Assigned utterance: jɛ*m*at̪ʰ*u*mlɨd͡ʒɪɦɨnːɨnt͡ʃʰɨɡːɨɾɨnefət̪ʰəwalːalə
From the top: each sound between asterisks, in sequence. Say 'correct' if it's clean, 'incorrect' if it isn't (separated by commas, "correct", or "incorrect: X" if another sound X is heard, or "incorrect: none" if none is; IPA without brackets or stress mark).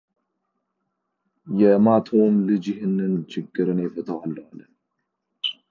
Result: correct, incorrect: o